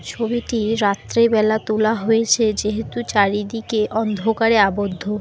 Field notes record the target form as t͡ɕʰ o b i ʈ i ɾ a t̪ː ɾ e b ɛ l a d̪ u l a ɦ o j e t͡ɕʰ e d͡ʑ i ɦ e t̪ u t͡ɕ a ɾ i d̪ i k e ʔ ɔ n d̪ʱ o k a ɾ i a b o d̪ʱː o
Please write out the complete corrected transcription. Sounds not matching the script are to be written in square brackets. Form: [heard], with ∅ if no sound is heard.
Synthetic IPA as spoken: t͡ɕʰ o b i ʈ i ɾ a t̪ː ɾ e b ɛ l a [t̪] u l a ɦ o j e t͡ɕʰ e d͡ʑ [e] ɦ e t̪ u t͡ɕ a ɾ i d̪ i k e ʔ ɔ n d̪ʱ o k a ɾ [e] a b o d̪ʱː o

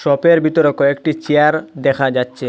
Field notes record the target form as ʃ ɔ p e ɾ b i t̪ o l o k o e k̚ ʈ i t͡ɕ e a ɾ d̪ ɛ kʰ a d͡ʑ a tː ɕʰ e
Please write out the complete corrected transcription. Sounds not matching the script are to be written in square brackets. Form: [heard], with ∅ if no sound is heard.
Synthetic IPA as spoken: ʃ ɔ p e ɾ b i t̪ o [ɾ] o k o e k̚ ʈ i t͡ɕ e a ɾ d̪ ɛ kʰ a d͡ʑ a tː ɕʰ e

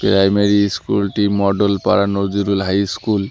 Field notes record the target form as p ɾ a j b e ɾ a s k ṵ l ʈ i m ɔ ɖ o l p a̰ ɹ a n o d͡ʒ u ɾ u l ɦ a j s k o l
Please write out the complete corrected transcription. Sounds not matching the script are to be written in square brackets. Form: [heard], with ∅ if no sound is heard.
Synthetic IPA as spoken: p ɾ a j [m] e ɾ [i] s k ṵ l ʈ i m ɔ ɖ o l p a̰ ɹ a n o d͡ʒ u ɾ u l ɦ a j s k [u] l

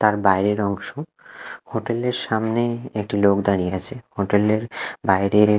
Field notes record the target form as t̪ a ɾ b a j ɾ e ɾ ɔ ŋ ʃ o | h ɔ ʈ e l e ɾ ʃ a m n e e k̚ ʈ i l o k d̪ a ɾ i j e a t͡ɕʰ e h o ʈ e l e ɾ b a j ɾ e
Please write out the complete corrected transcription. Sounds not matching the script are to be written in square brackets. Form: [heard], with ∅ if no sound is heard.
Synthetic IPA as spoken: t̪ a ɾ b a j ɾ e ɾ ɔ ŋ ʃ o | h [o] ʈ e l e ɾ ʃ a m n e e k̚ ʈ i l o k d̪ a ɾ i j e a t͡ɕʰ e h o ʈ e l e ɾ b a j ɾ e

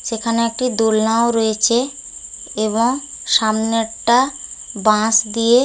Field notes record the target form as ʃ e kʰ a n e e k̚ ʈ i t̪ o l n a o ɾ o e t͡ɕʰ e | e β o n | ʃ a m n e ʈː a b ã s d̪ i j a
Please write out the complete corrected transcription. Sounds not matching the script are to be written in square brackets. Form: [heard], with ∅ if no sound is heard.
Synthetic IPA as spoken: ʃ e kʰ a n e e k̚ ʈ i [d̪] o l n a o ɾ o e t͡ɕʰ e | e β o [ŋ] | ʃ a m n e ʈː a b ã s d̪ i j [e]

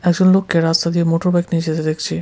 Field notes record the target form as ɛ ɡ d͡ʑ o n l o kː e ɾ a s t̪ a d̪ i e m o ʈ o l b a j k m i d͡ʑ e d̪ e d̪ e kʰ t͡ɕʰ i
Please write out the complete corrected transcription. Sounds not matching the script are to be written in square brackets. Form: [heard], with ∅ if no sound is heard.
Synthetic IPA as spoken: ɛ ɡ d͡ʑ o n l o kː e ɾ a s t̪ a d̪ i e m o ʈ o [ɾ] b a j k [n] i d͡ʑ e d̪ e d̪ e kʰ t͡ɕʰ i

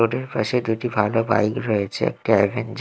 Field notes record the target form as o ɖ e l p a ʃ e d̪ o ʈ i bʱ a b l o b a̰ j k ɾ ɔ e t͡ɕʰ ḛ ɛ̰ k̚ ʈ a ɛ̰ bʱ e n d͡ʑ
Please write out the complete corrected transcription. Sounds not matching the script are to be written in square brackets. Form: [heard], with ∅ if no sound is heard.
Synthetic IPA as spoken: o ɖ e [ɾ] p a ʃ e d̪ [u] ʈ i bʱ a [∅] l o b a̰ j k ɾ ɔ e t͡ɕʰ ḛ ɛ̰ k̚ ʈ a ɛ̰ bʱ e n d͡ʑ

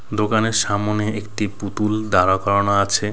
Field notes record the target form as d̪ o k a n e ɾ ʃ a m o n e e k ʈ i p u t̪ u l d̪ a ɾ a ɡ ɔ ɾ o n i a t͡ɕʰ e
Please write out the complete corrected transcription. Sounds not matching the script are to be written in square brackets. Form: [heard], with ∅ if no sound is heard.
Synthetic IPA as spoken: d̪ o k a n e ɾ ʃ a m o n e e k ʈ i p u t̪ u l d̪ a ɾ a [k] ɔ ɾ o n [a] a t͡ɕʰ e

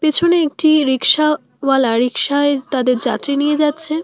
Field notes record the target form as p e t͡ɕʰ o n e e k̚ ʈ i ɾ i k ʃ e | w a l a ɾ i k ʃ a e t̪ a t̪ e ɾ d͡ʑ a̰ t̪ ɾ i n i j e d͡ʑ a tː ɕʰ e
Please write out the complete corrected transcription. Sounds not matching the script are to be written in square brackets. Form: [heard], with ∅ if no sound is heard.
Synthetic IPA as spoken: p e t͡ɕʰ o n e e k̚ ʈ i ɾ i k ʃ [a] | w a l a ɾ i k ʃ a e t̪ a [d̪] e ɾ d͡ʑ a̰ t̪ ɾ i n i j e d͡ʑ a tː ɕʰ e

